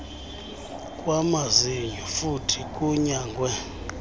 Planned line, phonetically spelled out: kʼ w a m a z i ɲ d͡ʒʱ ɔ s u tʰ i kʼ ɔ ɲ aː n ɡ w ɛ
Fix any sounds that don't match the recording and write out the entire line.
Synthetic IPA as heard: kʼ w a m a z i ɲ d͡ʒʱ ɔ f u tʰ i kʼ u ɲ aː ŋ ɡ w ɛ

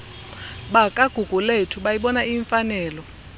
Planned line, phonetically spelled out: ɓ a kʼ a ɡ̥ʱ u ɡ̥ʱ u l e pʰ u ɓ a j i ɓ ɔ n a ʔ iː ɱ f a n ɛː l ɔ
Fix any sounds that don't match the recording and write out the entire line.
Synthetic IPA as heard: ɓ a kʼ a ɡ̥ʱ u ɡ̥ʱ u l e tʰ u ɓ a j i ɓ ɔ n a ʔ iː ɱ f a n ɛː l ɔ

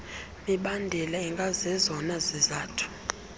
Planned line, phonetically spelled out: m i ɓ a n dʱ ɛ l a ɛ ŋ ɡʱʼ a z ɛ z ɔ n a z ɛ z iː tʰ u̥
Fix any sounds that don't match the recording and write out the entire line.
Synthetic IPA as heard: m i ɓ a n dʱ ɛ l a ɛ ŋ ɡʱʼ a z ɛ z ɔ n a z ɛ z aː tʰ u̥

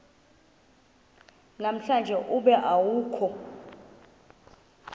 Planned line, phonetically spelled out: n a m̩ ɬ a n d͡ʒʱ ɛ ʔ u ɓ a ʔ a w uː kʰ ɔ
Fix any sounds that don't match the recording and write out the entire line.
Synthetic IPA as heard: n a m̩ ɬ a n d͡ʒʱ ɛ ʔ u ɓ ɛ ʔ a w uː kʰ ɔ

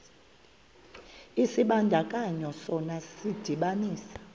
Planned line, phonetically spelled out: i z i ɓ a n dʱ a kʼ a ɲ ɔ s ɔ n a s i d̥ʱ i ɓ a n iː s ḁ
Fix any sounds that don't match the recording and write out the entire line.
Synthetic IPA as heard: i s i ɓ a n dʱ a kʼ a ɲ ɔ s ɔ n a s i d̥ʱ i ɓ a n iː s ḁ

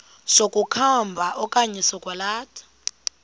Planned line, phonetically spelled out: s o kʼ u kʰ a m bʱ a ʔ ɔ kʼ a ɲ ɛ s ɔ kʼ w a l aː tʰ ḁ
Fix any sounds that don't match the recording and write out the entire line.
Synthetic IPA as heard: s o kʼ u kʰ a m bʱ a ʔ ɔ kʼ a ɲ ɛ s ɔ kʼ w a l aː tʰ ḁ

